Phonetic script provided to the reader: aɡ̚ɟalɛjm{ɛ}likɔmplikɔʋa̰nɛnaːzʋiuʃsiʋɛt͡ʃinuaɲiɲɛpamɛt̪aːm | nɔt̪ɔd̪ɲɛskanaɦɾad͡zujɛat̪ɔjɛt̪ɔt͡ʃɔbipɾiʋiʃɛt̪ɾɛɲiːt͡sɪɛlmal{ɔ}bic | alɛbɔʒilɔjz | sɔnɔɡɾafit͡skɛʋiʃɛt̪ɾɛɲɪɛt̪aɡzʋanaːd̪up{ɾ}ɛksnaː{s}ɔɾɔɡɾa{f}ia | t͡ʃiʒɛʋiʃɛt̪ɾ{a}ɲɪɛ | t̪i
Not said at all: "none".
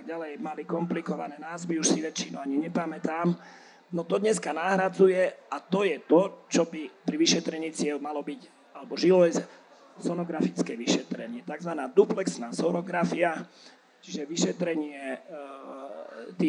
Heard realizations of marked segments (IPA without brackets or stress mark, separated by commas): a, ɔ, l, s, f, ɛ